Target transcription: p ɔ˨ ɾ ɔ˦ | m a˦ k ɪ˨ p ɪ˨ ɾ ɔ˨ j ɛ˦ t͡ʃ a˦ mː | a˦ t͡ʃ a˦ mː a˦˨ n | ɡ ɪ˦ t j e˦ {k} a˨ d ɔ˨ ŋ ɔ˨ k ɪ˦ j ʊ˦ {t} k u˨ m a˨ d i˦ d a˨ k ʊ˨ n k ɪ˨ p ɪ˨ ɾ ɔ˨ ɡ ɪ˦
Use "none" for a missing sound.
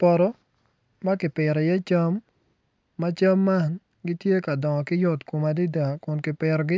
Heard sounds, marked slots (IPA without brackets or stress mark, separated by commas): k, t